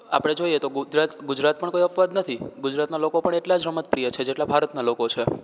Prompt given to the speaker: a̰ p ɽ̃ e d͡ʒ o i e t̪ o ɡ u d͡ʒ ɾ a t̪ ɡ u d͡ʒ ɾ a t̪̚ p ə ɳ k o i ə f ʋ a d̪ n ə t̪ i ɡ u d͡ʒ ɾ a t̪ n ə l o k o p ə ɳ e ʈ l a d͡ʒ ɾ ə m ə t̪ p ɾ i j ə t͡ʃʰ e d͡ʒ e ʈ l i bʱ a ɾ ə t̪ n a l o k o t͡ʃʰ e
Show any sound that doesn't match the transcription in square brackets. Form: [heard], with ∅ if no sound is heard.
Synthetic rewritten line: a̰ p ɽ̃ e d͡ʒ o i e t̪ o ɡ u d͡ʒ ɾ a t̪ ɡ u d͡ʒ ɾ a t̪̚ p ə ɳ k o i ə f ʋ a d̪ n ə [t̪ʰ] i ɡ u d͡ʒ ɾ a t̪ n [a] l o k o p ə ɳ e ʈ l a d͡ʒ ɾ ə m ə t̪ p ɾ i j ə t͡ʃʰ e d͡ʒ e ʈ l [a] bʱ a ɾ ə t̪ n a l o k o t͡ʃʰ e